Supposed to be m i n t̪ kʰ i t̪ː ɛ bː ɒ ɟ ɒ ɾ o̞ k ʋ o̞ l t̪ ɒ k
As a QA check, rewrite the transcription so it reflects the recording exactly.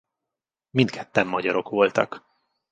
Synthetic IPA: m i n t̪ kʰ ɛ t̪ː ɛ mː ɒ ɟ ɒ ɾ o̞ k ʋ o̞ l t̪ ɒ k